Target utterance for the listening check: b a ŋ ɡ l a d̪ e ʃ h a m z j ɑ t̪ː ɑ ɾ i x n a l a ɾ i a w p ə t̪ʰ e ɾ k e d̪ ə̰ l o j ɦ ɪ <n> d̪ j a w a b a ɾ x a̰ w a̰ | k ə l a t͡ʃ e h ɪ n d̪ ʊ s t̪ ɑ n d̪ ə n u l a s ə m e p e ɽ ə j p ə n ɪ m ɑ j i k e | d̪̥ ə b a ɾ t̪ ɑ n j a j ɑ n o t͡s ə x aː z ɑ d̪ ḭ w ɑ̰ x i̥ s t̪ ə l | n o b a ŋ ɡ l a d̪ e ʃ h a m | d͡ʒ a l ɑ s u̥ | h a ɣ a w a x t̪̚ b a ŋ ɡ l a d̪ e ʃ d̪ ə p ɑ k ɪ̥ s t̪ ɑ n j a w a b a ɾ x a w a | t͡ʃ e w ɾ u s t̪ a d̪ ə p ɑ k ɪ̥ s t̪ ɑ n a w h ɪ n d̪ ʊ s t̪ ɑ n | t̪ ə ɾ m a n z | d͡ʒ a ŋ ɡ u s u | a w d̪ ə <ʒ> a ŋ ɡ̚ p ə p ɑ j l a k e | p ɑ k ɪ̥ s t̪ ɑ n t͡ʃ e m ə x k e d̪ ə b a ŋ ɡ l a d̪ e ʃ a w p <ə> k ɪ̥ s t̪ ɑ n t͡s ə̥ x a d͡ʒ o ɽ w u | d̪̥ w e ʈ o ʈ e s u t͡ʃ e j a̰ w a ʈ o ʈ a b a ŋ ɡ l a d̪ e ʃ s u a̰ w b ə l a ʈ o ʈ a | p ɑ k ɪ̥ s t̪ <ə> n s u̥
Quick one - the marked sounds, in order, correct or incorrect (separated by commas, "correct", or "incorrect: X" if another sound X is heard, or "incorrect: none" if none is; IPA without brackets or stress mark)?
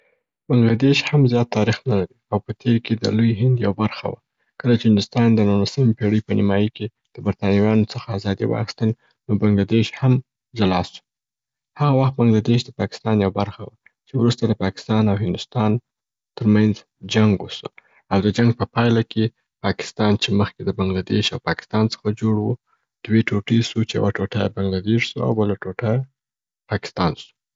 correct, incorrect: d͡ʒ, incorrect: ɑ, incorrect: ɑ